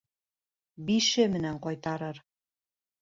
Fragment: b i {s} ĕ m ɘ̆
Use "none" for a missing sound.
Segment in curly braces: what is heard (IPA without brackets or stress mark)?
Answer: ʃ